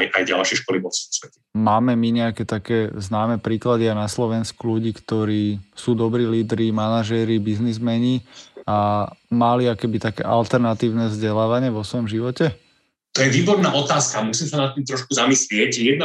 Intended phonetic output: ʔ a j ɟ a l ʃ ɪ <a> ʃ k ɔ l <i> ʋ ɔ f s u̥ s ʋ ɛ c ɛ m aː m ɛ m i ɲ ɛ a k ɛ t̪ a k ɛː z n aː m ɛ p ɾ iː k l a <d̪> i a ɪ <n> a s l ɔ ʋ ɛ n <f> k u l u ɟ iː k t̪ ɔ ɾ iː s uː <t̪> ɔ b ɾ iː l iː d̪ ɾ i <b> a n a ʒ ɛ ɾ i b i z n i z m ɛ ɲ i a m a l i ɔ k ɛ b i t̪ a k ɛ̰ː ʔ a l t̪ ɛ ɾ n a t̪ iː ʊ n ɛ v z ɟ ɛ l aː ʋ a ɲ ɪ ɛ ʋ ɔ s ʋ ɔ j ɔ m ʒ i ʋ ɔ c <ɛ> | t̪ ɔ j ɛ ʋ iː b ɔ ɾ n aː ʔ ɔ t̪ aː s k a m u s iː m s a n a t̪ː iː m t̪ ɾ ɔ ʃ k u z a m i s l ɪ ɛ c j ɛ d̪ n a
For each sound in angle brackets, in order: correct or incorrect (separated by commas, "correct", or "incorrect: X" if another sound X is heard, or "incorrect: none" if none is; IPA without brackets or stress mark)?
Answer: incorrect: ɛ, correct, correct, correct, incorrect: s, incorrect: d̪, incorrect: m, correct